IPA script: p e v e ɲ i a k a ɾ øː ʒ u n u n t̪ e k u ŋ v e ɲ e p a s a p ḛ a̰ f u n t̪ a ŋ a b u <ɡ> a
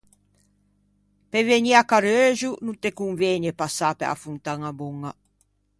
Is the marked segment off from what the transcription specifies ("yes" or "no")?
yes